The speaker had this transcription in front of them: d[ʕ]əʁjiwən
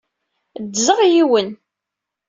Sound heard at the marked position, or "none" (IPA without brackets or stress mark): z